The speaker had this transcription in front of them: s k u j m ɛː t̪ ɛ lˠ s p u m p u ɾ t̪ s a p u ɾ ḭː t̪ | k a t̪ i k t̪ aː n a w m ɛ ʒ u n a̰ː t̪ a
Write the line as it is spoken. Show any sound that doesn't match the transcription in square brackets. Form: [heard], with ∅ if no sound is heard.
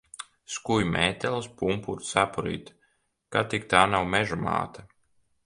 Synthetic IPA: s k u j m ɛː t̪ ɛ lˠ s p u m p u ɾ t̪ s a p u ɾ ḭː t̪ | k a t̪ i k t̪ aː n a w m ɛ ʒ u [m] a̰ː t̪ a